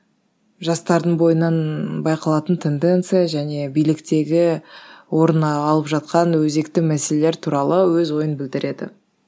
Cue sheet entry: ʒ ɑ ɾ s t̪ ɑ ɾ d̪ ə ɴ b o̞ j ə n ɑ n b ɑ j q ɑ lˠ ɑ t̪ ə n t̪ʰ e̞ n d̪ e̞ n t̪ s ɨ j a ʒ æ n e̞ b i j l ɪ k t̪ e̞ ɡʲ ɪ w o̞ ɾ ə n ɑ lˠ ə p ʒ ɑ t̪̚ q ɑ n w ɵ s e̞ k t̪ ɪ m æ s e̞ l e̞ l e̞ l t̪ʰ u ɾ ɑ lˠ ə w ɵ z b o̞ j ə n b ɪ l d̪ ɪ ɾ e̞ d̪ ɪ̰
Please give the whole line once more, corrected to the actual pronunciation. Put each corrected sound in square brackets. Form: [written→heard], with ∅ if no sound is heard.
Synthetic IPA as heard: ʒ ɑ [ɾ→∅] s t̪ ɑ ɾ d̪ ə ɴ b o̞ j ə n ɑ n b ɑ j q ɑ lˠ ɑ t̪ ə n t̪ʰ e̞ n d̪ e̞ n t̪ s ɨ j a ʒ æ n e̞ b i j l ɪ k t̪ e̞ ɡʲ ɪ w o̞ ɾ ə n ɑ lˠ ə p ʒ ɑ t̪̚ q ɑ n w ɵ [s→z] e̞ k t̪ ɪ m æ s e̞ l e̞ l e̞ [l→ɾ] t̪ʰ u ɾ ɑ lˠ ə w ɵ z [b→w] o̞ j ə n b ɪ l d̪ ɪ ɾ e̞ d̪ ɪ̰